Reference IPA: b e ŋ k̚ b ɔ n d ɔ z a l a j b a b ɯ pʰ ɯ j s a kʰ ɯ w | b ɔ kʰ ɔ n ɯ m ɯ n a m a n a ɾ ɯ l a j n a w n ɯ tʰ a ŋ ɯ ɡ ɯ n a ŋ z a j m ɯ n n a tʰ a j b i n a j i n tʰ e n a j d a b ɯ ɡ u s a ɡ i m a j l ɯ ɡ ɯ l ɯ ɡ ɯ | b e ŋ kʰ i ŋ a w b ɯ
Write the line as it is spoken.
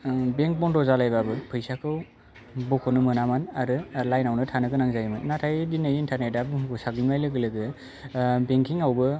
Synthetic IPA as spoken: b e ŋ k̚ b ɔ n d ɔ z a l a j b a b ɯ pʰ ɯ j s a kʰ ɯ w | b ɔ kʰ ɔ n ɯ m ɯ n a m a n a ɾ ɯ l a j n a w n ɯ tʰ a n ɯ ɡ ɯ n a ŋ z a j m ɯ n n a tʰ a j d i n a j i n tʰ a n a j d a b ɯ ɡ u s a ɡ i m a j l ɯ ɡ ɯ l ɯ ɡ ɯ | b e ŋ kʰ i ŋ a w b ɯ